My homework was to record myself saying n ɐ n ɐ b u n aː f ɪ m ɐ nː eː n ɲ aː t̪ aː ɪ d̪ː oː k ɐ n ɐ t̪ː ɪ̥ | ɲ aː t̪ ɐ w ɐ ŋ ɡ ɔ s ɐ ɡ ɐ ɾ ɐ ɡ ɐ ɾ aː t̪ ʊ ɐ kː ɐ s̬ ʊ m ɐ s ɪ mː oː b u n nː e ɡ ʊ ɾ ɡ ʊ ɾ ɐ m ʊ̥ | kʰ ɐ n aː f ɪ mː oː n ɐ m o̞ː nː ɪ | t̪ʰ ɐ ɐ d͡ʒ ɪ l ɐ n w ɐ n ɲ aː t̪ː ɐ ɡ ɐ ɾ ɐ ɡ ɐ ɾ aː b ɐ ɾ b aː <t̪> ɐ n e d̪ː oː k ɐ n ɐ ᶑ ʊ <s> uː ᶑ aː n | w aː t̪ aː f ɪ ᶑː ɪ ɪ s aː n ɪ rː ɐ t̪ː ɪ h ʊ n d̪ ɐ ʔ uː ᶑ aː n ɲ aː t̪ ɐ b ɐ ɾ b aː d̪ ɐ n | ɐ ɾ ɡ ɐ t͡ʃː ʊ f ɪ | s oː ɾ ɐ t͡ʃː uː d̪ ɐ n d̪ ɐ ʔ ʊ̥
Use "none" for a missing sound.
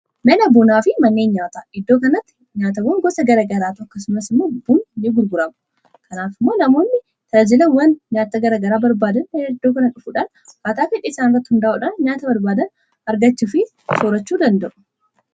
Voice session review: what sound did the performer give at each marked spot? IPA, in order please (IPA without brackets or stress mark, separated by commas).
d̪, f